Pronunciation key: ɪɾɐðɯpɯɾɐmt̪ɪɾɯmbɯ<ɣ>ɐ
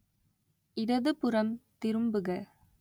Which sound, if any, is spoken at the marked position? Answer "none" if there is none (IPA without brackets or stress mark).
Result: ɣ